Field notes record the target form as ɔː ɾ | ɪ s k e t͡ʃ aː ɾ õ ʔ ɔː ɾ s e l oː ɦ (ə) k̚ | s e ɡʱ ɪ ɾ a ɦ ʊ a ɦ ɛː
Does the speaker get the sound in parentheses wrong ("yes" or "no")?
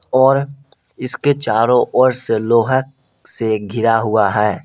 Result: no